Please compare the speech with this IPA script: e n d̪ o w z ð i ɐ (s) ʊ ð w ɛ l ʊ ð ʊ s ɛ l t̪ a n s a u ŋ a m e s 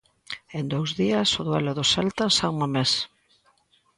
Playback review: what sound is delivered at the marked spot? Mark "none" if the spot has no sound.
s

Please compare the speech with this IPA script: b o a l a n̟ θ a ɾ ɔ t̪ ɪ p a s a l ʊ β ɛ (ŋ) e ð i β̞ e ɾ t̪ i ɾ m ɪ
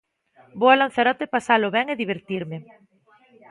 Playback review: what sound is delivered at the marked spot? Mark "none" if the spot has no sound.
ŋ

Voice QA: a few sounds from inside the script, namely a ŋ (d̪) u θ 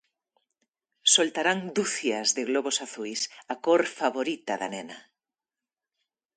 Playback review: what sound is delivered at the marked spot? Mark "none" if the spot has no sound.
d̪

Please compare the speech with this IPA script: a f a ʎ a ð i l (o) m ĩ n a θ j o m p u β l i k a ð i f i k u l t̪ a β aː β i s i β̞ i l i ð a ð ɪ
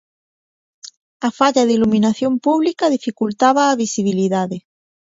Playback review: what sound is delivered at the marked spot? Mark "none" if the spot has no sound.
u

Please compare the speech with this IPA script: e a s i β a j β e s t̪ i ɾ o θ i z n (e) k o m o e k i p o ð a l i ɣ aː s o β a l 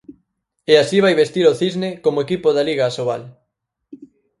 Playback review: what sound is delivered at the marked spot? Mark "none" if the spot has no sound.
e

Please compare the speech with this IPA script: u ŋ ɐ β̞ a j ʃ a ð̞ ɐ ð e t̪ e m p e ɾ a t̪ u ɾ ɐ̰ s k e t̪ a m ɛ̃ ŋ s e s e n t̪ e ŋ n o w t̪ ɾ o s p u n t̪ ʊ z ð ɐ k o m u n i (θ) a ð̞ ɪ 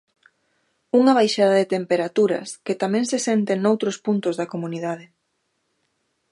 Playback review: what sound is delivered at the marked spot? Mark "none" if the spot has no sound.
ð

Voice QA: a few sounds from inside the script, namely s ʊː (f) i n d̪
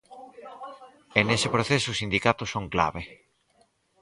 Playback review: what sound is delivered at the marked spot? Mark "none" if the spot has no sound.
s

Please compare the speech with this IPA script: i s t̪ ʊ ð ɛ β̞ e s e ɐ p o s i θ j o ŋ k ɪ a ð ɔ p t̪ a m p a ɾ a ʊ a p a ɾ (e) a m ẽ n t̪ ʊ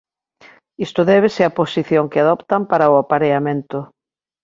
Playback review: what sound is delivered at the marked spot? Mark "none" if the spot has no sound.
e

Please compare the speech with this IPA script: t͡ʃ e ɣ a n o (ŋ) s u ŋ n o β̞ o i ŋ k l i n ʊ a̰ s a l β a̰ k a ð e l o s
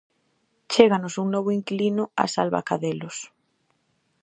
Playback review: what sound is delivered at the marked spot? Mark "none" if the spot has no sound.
none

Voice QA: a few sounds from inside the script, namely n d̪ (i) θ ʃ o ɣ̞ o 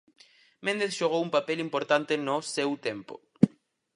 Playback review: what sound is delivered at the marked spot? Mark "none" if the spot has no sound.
e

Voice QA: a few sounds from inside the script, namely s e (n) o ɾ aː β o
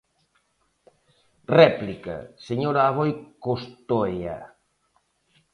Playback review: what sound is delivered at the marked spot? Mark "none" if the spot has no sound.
ɲ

